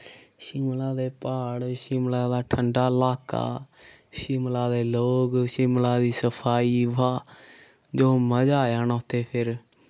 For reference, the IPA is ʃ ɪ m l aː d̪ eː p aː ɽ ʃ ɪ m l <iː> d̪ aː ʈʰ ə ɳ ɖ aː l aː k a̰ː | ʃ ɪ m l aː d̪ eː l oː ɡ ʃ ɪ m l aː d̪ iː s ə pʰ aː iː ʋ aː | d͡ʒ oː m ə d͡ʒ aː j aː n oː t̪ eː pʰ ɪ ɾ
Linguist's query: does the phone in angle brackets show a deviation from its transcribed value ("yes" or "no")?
yes